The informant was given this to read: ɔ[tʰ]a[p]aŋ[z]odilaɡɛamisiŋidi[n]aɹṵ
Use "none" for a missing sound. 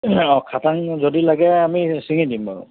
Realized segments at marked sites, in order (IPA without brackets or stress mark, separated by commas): kʰ, t, z, m